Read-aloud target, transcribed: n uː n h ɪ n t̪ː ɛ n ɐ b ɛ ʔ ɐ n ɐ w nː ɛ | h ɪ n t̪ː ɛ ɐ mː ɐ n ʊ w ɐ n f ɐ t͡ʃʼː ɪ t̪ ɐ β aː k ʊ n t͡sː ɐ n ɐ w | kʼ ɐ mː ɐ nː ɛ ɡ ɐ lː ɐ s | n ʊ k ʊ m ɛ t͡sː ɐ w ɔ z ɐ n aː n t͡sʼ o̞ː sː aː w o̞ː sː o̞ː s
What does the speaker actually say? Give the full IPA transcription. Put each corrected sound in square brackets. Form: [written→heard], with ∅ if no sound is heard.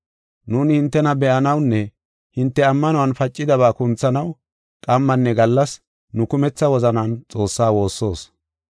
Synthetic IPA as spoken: n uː n h ɪ n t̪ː ɛ n ɐ b ɛ ʔ ɐ n ɐ w nː ɛ | h ɪ n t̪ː ɛ ɐ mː ɐ n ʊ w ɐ n f ɐ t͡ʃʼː ɪ [t̪→d̪] ɐ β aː k ʊ n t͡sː ɐ n ɐ w | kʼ ɐ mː ɐ nː ɛ ɡ ɐ lː ɐ s | n ʊ k ʊ m ɛ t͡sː ɐ w ɔ z ɐ n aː n t͡sʼ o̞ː sː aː w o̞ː sː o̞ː s

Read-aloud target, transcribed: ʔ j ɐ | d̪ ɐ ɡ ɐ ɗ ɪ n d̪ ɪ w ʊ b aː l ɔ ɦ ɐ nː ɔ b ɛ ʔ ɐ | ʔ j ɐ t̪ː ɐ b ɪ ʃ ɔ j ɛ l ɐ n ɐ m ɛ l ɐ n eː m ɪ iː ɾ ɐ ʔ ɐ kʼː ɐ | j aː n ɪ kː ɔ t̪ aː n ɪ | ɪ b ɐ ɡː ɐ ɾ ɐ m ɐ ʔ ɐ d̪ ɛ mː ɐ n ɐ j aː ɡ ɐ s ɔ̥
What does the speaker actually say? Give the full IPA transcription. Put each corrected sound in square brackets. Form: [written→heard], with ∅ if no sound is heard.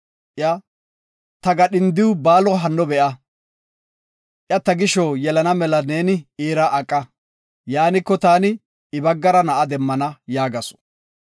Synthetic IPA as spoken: ʔ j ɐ | [d̪→t̪] ɐ ɡ ɐ ɗ ɪ n d̪ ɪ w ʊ b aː l ɔ ɦ ɐ nː ɔ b ɛ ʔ ɐ | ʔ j ɐ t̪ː ɐ [b→ɡ] ɪ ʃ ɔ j ɛ l ɐ n ɐ m ɛ l ɐ n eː [m→n] ɪ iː ɾ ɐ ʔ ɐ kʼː ɐ | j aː n ɪ kː ɔ t̪ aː n ɪ | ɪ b ɐ ɡː ɐ ɾ ɐ [m→n] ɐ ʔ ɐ d̪ ɛ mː ɐ n ɐ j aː ɡ ɐ s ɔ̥

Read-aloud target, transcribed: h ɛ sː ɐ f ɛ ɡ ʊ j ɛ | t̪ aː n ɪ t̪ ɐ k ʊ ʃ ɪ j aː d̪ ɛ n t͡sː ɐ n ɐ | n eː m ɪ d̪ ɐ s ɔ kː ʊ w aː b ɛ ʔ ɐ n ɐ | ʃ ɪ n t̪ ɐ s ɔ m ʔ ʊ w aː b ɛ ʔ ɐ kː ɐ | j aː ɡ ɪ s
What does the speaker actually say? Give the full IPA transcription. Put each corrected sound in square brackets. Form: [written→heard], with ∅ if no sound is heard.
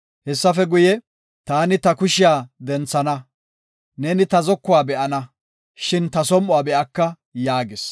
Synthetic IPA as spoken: h ɛ sː ɐ f ɛ ɡ ʊ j ɛ | t̪ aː n ɪ t̪ ɐ k ʊ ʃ ɪ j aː d̪ ɛ n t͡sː ɐ n ɐ | n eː [m→n] ɪ [d̪→t̪] ɐ [s→z] ɔ kː ʊ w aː b ɛ ʔ ɐ n ɐ | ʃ ɪ n t̪ ɐ s ɔ m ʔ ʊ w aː b ɛ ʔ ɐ kː ɐ | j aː ɡ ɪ s

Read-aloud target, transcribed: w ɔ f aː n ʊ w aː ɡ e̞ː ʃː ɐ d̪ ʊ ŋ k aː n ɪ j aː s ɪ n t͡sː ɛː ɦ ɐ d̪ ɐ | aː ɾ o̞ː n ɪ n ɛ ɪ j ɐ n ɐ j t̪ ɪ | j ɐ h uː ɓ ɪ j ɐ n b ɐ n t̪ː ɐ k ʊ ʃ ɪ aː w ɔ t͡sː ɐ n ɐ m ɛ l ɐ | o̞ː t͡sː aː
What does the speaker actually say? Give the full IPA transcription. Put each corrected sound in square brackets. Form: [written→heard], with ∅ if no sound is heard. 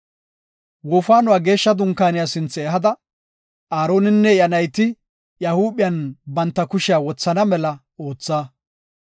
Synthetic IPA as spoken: w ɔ f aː n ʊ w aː ɡ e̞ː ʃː ɐ d̪ ʊ ŋ k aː n ɪ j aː s ɪ n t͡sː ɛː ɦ ɐ d̪ ɐ | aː ɾ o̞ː n ɪ [n→nː] ɛ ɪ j ɐ n ɐ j t̪ ɪ | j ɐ h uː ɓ ɪ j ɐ n b ɐ n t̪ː ɐ k ʊ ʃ ɪ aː w ɔ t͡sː ɐ n ɐ m ɛ l ɐ | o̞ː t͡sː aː

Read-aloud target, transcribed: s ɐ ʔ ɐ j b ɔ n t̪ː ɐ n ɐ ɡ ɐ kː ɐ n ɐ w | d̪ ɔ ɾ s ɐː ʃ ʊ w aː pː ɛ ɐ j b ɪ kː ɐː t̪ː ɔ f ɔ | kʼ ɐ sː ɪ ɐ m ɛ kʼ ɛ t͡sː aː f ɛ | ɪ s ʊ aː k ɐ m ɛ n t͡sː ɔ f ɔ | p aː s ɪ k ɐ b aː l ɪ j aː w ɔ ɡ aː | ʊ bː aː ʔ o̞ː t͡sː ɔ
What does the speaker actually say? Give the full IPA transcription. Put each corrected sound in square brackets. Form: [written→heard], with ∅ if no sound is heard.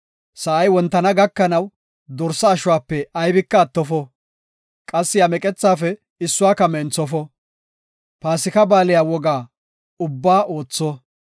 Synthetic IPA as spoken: s ɐ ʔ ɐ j [b→w] ɔ n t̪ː ɐ n ɐ ɡ ɐ kː ɐ n ɐ w | d̪ ɔ ɾ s ɐː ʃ ʊ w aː pː ɛ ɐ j b ɪ kː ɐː t̪ː ɔ f ɔ | kʼ ɐ sː ɪ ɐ m ɛ kʼ ɛ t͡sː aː f ɛ | ɪ [s→sː] ʊ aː k ɐ m ɛ n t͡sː ɔ f ɔ | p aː s ɪ k ɐ b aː l ɪ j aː w ɔ ɡ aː | ʊ bː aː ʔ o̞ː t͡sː ɔ

